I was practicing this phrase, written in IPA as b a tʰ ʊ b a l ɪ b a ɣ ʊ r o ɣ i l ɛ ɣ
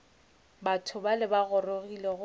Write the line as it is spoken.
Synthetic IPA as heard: b a tʰ ʊ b a l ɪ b a ɣ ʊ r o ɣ i l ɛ ɣ